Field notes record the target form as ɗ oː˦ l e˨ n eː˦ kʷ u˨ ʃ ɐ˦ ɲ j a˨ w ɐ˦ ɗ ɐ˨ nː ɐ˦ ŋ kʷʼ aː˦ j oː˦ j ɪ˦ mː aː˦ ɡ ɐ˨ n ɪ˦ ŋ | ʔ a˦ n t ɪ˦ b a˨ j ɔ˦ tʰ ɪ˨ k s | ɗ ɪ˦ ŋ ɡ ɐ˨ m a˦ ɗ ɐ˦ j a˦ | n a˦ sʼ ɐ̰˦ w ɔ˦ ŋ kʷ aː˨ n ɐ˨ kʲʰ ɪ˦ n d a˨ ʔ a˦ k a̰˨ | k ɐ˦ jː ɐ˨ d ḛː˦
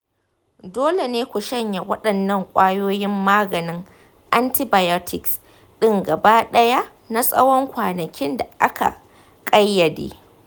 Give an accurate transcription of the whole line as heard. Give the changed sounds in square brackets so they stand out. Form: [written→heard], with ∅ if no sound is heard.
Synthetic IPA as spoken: [ɗ→d] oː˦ l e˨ n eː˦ kʷ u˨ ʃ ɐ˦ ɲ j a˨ w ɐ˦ ɗ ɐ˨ nː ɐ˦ ŋ kʷʼ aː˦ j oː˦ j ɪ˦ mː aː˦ ɡ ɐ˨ n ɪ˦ ŋ | ʔ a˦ n t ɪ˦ b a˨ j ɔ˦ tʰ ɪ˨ k s | ɗ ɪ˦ ŋ ɡ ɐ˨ [m→b] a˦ ɗ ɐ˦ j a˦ | n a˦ sʼ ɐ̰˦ w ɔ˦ ŋ kʷ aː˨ n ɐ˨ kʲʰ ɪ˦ n d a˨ ʔ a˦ k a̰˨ | [k→kʼ] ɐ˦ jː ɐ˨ d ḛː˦